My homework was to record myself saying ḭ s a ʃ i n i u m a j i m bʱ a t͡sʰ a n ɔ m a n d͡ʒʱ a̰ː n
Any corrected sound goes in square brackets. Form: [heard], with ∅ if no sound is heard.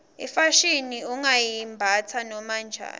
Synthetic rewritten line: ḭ [f] a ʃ i n i u [ŋ] a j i m bʱ a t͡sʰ a n ɔ m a n d͡ʒʱ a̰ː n